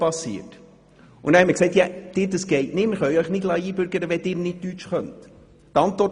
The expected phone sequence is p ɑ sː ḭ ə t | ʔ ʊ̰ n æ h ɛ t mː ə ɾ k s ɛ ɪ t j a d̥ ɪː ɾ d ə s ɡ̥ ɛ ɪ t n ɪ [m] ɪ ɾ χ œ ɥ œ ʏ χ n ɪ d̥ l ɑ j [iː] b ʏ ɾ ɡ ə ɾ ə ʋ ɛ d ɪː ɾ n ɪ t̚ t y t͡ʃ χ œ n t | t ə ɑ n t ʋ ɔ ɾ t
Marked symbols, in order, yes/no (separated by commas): yes, yes